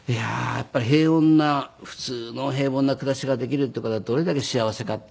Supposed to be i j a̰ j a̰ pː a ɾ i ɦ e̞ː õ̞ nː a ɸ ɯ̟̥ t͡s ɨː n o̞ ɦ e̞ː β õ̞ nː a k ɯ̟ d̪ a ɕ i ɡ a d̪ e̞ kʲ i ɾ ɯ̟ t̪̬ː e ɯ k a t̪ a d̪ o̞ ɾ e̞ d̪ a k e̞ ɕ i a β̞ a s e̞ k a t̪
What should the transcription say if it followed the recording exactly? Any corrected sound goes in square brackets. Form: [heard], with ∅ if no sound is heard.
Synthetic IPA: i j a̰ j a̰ pː a ɾ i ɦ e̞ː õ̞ nː a ɸ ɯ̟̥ t͡s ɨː n o̞ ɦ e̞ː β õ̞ nː a k ɯ̟ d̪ a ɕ i ɡ a d̪ e̞ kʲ i ɾ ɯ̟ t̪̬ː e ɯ k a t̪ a d̪ o̞ ɾ e̞ d̪ a k e̞ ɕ i a β̞ a s e̞ k a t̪